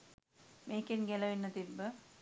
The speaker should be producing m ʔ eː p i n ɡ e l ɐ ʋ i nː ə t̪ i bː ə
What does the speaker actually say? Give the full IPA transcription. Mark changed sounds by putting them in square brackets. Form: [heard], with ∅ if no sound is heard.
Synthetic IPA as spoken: m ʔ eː [k] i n ɡ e l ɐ ʋ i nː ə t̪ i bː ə